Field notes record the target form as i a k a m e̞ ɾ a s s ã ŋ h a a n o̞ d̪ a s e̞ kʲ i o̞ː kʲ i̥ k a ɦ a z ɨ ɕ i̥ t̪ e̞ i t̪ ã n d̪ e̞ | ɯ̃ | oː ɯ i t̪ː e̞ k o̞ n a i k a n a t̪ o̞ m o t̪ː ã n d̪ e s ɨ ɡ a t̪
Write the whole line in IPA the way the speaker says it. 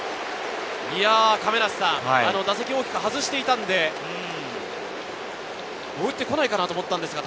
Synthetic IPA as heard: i a k a m e̞ ɾ a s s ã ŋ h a a n o̞ d̪ a s e̞ kʲ i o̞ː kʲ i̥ k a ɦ a z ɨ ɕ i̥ t̪ e̞ i t̪ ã n d̪ e̞ | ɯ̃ | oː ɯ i t̪ː e̞ k o̞ n a i k a n a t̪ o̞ m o t̪ː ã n d̪ e s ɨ ɡ a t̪